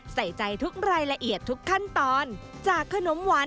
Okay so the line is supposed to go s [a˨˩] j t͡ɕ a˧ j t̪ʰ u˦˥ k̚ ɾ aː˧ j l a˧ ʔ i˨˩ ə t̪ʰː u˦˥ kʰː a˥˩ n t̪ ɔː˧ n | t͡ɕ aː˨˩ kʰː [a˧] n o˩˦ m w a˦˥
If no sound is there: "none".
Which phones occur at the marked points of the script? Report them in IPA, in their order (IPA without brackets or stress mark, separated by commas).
a˨˩, a˧